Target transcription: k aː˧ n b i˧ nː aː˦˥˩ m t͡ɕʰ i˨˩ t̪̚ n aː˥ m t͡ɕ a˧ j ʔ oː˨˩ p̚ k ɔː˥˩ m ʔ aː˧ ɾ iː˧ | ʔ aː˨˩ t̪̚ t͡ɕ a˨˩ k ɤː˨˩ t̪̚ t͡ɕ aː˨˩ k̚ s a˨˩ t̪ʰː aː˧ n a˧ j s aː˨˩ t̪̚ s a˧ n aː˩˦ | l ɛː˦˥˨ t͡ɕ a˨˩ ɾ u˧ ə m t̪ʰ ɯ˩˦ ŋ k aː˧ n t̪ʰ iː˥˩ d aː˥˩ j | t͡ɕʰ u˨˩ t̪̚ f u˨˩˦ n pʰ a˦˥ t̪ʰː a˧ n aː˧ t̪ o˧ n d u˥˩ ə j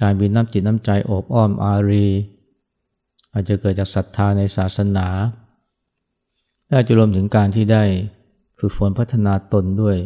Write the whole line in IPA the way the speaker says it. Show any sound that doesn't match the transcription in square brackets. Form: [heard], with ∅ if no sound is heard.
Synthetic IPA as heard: k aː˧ n b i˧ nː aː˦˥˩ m [t͡ɕ] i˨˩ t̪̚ n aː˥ m t͡ɕ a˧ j ʔ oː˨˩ p̚ [ʔ] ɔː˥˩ m ʔ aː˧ ɾ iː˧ | ʔ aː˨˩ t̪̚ t͡ɕ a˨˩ k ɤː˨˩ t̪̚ t͡ɕ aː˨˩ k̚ s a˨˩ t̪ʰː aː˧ n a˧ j s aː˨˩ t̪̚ s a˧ n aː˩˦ | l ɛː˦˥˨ t͡ɕ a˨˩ ɾ u˧ ə m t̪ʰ ɯ˩˦ ŋ k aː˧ n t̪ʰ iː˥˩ d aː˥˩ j | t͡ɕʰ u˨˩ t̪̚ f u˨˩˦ n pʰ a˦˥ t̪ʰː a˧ n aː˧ t̪ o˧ n d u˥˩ ə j